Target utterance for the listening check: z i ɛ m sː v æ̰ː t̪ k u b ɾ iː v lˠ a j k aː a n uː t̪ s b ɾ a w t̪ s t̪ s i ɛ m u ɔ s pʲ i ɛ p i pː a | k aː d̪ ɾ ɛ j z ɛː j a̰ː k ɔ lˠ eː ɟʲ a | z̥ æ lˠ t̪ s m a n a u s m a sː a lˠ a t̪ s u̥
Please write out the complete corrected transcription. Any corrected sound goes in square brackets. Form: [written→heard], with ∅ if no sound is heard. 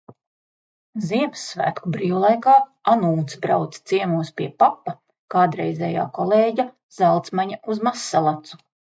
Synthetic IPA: z i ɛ m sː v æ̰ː t̪ k u b ɾ iː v lˠ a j k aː a n uː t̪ s b ɾ a w t̪ s t̪ s i ɛ m u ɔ s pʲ i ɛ p [i→a] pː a | k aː d̪ ɾ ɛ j z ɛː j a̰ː k ɔ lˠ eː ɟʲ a | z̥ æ lˠ t̪ s m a [n→ɲ] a u [s→z] m a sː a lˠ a t̪ s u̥